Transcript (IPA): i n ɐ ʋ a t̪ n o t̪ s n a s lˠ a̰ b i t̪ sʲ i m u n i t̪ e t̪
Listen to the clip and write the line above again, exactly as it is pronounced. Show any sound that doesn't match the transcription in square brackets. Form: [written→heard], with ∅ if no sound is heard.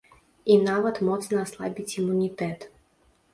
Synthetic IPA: i n [ɐ→a] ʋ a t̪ [n→m] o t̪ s n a s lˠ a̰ b i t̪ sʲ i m u n i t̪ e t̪